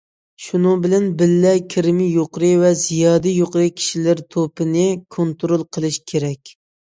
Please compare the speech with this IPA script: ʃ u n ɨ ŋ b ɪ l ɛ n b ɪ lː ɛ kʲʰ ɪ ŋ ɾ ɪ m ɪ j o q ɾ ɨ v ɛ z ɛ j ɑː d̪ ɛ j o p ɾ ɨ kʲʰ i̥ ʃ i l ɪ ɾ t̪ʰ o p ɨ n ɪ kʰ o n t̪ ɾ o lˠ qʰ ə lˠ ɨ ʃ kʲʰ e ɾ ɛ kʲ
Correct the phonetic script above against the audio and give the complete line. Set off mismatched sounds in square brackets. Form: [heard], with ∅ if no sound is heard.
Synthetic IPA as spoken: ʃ u n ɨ ŋ b ɪ l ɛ n b ɪ lː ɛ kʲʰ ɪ [∅] ɾ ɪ m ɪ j o q ɾ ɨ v ɛ z [i] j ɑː d̪ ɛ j o [q] ɾ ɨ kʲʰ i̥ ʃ i l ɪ ɾ t̪ʰ o p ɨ n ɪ kʰ o n t̪ ɾ o lˠ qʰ ə lˠ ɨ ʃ kʲʰ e ɾ ɛ kʲ